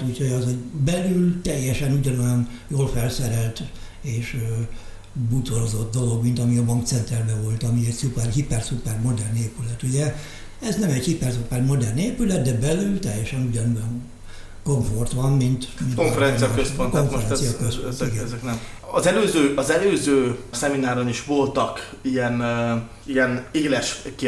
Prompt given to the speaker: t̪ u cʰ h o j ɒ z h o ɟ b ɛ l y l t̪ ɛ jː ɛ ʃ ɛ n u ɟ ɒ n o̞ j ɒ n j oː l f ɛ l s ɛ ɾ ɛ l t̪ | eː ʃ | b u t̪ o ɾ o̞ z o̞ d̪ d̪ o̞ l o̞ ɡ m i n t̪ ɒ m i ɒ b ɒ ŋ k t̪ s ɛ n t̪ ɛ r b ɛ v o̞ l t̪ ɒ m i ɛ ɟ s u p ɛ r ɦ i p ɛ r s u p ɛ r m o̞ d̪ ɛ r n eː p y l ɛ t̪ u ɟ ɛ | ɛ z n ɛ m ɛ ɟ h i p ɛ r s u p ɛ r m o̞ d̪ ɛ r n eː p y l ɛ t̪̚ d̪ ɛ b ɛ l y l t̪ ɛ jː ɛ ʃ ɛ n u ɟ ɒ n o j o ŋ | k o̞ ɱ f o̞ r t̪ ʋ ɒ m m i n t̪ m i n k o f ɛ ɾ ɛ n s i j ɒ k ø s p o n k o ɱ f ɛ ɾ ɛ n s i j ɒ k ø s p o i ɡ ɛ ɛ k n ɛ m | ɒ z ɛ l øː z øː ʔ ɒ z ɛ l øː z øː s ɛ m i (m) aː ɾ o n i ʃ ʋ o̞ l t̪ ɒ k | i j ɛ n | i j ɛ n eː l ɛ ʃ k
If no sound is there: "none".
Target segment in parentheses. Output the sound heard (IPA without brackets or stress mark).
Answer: n